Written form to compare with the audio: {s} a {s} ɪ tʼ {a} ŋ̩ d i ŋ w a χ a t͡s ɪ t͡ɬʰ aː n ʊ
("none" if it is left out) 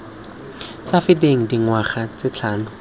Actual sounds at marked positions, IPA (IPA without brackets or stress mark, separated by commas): s, f, e